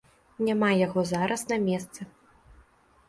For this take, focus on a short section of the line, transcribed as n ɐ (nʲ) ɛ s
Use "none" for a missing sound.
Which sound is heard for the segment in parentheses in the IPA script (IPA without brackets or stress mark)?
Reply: mʲ